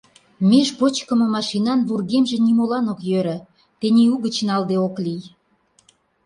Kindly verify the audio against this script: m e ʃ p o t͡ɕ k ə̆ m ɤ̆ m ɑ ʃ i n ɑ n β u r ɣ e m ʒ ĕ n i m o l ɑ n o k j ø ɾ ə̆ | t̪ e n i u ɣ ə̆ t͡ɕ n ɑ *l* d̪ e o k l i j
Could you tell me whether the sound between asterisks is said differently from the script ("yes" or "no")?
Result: no